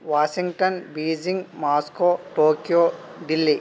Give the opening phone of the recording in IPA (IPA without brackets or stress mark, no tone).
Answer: ʋ